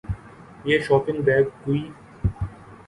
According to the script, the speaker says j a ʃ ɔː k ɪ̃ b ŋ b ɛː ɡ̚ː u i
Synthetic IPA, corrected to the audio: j e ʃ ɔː p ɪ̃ ŋ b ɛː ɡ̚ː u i